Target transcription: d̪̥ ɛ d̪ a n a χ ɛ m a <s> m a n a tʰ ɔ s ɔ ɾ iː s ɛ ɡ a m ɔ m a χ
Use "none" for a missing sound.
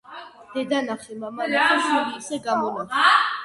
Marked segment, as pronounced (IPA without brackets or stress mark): none